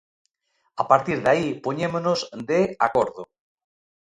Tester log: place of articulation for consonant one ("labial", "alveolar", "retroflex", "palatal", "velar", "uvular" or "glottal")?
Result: labial